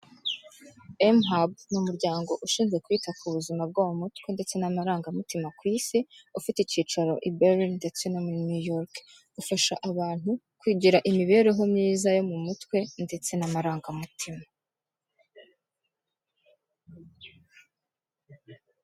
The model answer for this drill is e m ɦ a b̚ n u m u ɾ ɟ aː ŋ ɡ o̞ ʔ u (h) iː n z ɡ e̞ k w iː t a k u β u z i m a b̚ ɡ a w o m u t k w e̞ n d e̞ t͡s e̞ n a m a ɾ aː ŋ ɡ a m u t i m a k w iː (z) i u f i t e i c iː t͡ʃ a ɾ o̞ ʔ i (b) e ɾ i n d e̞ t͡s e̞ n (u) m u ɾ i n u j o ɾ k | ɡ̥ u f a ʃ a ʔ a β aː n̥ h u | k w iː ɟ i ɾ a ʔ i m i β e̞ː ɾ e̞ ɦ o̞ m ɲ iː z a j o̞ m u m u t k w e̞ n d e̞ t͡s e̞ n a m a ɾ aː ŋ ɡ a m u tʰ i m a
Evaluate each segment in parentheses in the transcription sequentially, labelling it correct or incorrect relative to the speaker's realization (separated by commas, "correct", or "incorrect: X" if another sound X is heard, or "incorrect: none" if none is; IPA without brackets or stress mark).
incorrect: ʃ, incorrect: s, correct, incorrect: o